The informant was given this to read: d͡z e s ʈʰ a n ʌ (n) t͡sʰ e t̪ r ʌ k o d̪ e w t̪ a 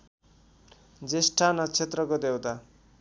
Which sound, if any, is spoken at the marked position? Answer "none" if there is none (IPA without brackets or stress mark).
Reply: none